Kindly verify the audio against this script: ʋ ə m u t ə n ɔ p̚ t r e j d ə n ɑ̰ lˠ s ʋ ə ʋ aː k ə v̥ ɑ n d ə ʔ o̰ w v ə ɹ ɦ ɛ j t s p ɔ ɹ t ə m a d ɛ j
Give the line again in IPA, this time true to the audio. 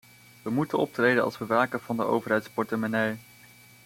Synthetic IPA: ʋ ə m u t ə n ɔ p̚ t r e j d ə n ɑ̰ lˠ s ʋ ə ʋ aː k ə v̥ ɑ n d ə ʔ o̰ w v ə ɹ ɦ ɛ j t s p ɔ ɹ t ə m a n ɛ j